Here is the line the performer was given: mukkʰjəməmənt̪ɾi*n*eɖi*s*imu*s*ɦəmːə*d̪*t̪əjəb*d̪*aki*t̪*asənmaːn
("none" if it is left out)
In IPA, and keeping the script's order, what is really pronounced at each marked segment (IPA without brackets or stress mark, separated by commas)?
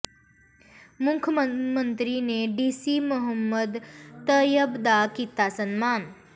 n, s, none, d̪, d̪, t̪